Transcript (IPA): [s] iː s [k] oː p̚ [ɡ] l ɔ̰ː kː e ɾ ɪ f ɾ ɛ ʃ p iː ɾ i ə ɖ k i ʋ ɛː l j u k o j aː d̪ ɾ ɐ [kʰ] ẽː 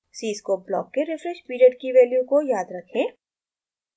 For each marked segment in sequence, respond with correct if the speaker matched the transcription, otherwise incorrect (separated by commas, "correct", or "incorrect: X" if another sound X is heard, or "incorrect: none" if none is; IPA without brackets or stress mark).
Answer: correct, correct, incorrect: b, correct